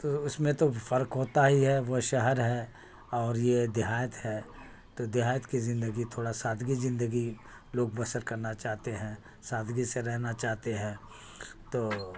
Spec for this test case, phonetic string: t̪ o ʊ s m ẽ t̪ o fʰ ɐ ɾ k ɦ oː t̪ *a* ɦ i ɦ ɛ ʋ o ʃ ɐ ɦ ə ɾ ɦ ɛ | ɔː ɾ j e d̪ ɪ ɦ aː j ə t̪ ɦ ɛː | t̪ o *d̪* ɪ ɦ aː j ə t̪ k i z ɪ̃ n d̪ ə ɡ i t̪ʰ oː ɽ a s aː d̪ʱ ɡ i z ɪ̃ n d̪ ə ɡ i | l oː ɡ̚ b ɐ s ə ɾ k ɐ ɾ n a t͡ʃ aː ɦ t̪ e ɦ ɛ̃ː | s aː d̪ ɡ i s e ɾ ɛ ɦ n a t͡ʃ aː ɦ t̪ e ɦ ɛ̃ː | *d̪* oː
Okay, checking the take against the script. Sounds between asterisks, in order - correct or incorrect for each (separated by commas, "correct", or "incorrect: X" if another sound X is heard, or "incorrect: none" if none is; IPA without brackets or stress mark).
correct, correct, incorrect: t̪